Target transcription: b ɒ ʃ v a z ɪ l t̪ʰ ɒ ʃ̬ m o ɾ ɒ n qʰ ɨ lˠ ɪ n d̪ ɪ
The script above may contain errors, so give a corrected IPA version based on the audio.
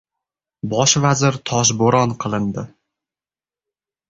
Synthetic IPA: b ɒ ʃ v a z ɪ ɾ t̪ʰ ɒ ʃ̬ b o ɾ ɒ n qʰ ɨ lˠ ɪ n d̪ ɪ